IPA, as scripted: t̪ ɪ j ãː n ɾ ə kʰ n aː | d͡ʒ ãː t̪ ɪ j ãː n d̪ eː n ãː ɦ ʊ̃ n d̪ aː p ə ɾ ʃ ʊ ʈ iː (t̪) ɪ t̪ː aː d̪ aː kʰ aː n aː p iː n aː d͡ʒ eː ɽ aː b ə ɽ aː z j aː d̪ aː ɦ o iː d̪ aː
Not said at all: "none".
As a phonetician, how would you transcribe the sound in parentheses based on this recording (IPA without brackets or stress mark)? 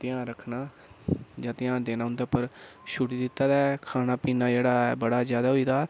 d̪